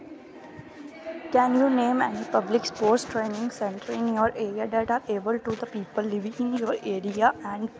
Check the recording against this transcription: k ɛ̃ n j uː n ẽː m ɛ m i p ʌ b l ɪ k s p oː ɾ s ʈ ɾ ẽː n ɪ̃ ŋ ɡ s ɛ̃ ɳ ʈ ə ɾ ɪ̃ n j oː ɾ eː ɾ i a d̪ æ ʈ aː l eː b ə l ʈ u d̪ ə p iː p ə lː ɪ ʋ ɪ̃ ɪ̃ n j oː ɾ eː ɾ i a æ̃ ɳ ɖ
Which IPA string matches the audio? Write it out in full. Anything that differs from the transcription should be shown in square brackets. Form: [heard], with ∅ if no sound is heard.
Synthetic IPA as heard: k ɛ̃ n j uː n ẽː m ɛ [n] i p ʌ b l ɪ k s p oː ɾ s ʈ ɾ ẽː n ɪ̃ ŋ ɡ s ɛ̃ ɳ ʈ ə ɾ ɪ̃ n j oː ɾ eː ɾ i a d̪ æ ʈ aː [ɾ] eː b ə l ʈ u d̪ ə p iː p ə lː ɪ ʋ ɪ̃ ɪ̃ n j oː ɾ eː ɾ i a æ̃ ɳ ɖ

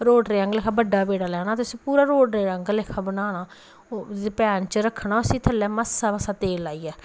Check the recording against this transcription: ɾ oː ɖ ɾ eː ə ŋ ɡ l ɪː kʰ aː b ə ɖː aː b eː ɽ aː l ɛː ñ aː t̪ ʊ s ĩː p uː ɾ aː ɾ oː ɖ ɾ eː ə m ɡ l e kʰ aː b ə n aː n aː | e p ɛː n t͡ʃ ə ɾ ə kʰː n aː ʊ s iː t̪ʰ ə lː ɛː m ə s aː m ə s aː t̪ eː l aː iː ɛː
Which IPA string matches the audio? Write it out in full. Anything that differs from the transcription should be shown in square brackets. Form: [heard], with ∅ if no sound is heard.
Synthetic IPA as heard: ɾ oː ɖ ɾ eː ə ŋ ɡ l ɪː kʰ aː b ə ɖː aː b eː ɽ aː l ɛː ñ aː t̪ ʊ s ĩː p uː ɾ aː ɾ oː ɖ ɾ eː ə [ŋ] ɡ l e kʰ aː b ə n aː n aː | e p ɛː n t͡ʃ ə ɾ ə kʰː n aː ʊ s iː t̪ʰ ə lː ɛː m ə s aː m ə s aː t̪ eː l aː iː ɛː

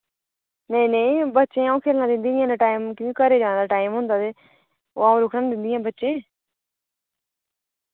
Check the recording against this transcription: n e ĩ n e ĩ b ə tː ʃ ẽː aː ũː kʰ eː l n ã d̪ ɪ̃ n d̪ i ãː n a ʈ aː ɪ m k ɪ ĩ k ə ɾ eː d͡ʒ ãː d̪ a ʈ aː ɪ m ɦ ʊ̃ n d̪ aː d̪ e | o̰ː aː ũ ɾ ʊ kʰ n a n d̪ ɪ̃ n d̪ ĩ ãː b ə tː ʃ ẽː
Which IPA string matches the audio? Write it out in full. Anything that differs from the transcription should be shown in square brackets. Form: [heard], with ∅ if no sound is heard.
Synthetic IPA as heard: n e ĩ n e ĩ b ə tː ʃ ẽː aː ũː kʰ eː l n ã d̪ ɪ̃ n d̪ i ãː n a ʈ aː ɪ m k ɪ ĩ k ə ɾ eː d͡ʒ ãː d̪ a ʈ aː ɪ m ɦ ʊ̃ n d̪ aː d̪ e | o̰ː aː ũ ɾ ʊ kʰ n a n d̪ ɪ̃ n d̪ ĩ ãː b ə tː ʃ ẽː

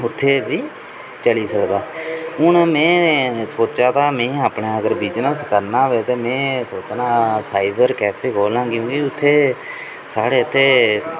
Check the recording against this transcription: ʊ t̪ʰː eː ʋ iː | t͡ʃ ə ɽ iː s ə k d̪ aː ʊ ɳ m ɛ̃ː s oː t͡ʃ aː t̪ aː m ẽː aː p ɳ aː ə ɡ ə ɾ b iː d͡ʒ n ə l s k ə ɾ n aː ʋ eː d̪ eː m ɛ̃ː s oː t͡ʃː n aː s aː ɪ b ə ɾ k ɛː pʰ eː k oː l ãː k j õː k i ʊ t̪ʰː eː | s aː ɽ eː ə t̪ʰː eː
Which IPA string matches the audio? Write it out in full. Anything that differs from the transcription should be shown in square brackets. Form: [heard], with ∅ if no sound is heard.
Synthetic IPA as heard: ʊ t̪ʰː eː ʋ iː | t͡ʃ ə [l] iː s ə k d̪ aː ʊ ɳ m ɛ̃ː s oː t͡ʃ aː t̪ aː m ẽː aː p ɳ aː ə ɡ ə ɾ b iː d͡ʒ n ə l s k ə ɾ n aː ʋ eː [t̪] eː m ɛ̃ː s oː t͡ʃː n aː s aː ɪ b ə ɾ k ɛː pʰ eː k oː l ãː k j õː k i ʊ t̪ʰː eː | s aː ɽ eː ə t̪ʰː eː

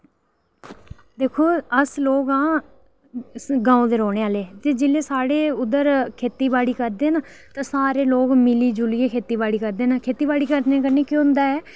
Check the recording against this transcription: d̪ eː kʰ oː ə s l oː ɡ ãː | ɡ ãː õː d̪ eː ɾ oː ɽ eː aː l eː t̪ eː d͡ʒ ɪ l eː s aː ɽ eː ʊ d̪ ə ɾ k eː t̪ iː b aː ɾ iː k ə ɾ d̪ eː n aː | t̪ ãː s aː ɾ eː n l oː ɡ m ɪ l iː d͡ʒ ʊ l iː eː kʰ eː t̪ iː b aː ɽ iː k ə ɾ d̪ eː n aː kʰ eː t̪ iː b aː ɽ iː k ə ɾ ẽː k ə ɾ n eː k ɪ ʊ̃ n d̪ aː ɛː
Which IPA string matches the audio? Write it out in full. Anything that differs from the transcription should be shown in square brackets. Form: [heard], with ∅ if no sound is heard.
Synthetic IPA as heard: d̪ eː kʰ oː ə s l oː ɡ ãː | ɡ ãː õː d̪ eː ɾ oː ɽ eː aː l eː t̪ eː d͡ʒ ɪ l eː s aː ɽ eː ʊ d̪ ə ɾ [kʰ] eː t̪ iː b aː [ɽ] iː k ə ɾ d̪ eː n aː | t̪ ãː s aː ɾ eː [∅] l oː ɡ m ɪ l iː d͡ʒ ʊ l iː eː kʰ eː t̪ iː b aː ɽ iː k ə ɾ d̪ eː n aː kʰ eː t̪ iː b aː ɽ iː k ə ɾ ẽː k ə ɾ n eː k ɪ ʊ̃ n d̪ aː ɛː

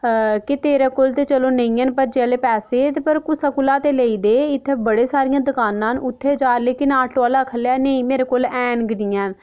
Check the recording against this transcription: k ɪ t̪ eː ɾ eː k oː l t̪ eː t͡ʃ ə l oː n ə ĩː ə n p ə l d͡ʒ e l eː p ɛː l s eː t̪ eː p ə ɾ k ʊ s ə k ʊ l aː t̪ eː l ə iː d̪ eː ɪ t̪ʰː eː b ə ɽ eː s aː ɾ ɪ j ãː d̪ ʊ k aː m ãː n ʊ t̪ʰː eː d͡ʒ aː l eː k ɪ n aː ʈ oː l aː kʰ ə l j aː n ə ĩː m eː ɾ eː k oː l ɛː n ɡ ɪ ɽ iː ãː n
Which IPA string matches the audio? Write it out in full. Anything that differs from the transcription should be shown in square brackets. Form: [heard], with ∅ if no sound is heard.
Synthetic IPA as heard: k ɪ t̪ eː ɾ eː k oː l t̪ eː t͡ʃ ə l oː n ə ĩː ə n p ə [ɾ] d͡ʒ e l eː p ɛː [∅] s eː t̪ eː p ə ɾ k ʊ s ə k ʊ l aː t̪ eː l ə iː d̪ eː ɪ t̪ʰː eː b ə ɽ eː s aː ɾ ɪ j ãː d̪ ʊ k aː [n] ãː n ʊ t̪ʰː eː d͡ʒ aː l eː k ɪ n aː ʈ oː l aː kʰ ə l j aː n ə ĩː m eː ɾ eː k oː l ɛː n ɡ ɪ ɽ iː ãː n

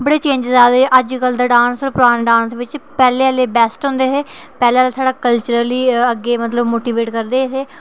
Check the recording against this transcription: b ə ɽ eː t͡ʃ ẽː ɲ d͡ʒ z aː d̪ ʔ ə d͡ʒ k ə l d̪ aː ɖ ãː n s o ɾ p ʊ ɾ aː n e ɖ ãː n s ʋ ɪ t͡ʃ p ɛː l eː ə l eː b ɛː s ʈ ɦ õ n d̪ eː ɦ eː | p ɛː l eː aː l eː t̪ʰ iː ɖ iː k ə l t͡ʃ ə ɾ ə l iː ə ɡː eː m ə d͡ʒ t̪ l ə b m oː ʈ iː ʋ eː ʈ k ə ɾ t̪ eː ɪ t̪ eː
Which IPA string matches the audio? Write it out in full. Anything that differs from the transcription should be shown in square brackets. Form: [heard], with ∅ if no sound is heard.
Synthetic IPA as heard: b ə ɽ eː t͡ʃ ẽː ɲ d͡ʒ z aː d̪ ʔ ə d͡ʒ k ə l d̪ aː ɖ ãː n s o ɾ p ʊ ɾ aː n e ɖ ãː n s ʋ ɪ t͡ʃ p ɛː l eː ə l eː b ɛː s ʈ ɦ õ n d̪ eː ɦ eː | p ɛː l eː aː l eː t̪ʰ [aː] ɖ [aː] k ə l t͡ʃ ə ɾ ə l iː ə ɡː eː m ə [∅] t̪ l ə b m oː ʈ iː ʋ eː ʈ k ə ɾ [d̪] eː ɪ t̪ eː

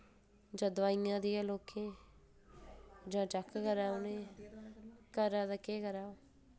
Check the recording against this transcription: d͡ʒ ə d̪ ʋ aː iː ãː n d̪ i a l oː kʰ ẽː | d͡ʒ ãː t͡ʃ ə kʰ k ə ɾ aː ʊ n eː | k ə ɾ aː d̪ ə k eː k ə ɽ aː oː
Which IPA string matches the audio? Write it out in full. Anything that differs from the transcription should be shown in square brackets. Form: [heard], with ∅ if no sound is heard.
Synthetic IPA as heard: d͡ʒ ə d̪ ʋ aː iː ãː [∅] d̪ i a l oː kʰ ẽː | d͡ʒ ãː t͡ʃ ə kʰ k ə ɾ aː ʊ n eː | k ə ɾ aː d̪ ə k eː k ə [ɾ] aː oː

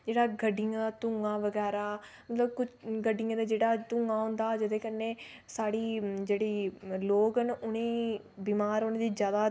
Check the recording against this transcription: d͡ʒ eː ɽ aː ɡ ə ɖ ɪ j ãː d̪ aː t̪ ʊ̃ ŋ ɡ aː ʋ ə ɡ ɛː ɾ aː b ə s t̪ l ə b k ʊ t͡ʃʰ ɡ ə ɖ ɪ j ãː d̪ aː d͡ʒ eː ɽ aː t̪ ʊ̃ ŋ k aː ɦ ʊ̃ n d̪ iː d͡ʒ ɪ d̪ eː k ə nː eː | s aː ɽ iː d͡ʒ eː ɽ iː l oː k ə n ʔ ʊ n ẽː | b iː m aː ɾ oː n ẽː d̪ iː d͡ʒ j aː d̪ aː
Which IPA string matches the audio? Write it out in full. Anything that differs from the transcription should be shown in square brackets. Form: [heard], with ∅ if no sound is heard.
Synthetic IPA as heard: d͡ʒ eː ɽ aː ɡ ə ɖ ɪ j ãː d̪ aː t̪ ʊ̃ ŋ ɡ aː ʋ ə ɡ ɛː ɾ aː [m] ə [∅] t̪ l ə b k ʊ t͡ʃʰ ɡ ə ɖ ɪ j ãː d̪ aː d͡ʒ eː ɽ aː t̪ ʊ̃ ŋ [ɡ] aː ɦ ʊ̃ n d̪ [aː] d͡ʒ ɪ d̪ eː k ə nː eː | s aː ɽ iː d͡ʒ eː ɽ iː l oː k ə n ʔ ʊ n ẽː | b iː m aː ɾ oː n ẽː d̪ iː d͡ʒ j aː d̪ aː

